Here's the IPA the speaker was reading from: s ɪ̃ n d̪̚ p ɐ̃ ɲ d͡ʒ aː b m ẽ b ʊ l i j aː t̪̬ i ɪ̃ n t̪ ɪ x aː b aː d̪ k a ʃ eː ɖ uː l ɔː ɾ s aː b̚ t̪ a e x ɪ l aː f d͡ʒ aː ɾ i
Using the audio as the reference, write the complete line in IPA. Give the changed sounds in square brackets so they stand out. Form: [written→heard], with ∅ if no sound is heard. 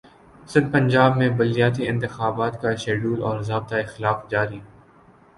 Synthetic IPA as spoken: s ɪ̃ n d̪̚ p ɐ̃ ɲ d͡ʒ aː b m ẽ b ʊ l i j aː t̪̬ i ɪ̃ n t̪ ɪ x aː b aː [d̪→t̪] k a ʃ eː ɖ uː l ɔː ɾ [s→z] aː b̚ t̪ a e x ɪ l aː f d͡ʒ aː ɾ i